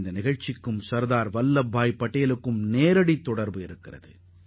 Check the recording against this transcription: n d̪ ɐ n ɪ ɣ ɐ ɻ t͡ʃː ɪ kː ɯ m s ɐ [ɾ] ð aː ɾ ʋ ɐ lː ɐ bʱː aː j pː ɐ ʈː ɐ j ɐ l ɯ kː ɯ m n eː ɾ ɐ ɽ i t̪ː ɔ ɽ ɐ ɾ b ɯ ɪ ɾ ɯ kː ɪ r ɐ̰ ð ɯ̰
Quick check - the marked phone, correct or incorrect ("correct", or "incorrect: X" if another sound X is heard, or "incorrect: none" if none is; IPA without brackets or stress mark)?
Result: correct